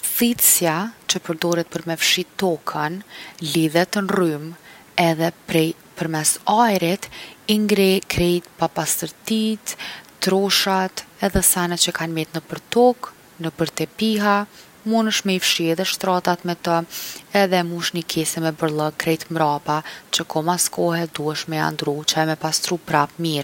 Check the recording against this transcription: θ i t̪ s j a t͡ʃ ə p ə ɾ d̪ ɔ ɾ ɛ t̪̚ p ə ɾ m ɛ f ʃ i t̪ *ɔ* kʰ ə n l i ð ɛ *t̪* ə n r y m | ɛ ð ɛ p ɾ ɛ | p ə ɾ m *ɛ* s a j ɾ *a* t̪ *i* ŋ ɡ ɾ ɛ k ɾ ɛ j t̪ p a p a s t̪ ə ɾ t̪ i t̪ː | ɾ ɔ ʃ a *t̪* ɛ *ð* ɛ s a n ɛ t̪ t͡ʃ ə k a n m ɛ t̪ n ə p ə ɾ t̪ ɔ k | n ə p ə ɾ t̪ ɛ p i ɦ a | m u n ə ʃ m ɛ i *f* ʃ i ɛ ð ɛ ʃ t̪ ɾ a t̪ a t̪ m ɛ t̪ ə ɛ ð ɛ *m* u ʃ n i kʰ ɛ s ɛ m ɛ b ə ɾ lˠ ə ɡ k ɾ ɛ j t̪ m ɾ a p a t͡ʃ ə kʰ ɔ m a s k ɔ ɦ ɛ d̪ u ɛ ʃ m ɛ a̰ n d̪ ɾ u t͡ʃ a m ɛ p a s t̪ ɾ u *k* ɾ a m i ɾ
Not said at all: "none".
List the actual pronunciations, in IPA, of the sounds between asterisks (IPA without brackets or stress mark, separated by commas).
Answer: ɔ, t̪, ɛ, i, i, t̪, ð, f, m, p